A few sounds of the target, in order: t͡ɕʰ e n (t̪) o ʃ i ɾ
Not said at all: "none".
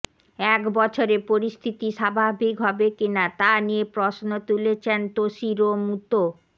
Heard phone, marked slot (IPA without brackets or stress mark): t̪